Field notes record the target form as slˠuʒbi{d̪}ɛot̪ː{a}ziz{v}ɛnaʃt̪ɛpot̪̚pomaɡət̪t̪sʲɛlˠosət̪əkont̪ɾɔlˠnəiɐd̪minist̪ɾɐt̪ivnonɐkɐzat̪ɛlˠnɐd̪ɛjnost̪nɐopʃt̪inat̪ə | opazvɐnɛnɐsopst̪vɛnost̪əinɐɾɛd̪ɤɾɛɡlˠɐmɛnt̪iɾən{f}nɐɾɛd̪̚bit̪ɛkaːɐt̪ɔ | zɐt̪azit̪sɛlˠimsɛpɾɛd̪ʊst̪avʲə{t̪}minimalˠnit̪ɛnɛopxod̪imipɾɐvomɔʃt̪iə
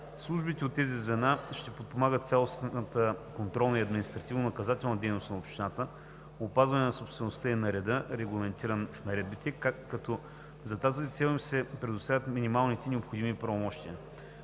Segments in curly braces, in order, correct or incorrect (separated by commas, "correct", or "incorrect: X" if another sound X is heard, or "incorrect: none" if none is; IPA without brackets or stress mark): incorrect: t̪, incorrect: ɛ, correct, correct, correct